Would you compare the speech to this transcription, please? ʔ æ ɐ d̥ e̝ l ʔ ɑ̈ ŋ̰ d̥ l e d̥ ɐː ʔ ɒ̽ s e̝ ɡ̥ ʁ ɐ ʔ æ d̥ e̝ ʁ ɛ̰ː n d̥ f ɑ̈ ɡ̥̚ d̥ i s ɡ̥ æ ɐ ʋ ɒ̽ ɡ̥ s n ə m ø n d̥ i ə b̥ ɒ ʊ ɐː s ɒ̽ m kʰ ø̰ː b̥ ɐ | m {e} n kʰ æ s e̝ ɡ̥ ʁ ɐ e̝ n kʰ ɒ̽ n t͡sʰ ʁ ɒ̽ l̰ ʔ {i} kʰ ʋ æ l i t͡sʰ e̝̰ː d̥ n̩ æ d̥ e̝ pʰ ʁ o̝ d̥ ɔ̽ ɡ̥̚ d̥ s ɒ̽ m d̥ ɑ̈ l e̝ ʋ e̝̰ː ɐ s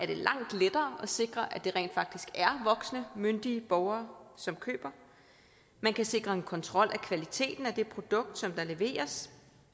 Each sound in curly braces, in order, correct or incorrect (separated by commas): incorrect, incorrect